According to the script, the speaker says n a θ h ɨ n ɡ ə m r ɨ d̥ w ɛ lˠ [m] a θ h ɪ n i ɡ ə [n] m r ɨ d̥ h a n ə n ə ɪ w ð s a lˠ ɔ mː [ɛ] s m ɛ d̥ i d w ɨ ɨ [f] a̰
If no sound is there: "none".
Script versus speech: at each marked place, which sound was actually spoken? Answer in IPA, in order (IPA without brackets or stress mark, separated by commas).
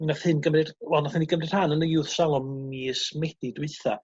n, none, i, θ